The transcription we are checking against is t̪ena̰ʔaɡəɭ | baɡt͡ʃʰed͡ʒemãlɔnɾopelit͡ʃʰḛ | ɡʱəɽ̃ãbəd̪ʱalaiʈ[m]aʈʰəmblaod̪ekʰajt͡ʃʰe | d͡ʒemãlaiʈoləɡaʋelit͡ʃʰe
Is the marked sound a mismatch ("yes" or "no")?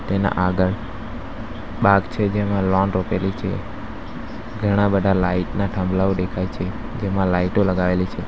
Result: yes